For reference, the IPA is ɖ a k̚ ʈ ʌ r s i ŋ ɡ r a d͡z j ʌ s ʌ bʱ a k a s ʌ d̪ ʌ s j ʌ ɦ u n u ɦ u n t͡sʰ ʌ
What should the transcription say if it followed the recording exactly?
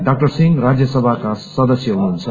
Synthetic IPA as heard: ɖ a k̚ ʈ ʌ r s i ŋ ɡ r a d͡z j ʌ s ʌ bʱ a k a s ʌ d̪ ʌ s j ʌ ɦ u n u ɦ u n t͡sʰ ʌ